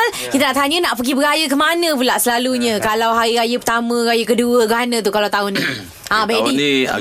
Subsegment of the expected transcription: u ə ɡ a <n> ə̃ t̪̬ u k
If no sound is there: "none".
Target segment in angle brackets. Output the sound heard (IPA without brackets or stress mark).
n